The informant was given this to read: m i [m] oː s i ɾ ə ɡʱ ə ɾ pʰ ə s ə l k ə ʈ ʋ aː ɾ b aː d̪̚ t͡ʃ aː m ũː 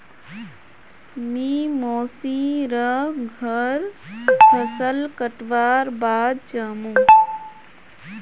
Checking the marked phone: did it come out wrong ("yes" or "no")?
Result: no